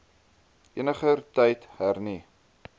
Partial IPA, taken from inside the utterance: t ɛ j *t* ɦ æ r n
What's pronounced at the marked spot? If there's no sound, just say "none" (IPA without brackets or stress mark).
t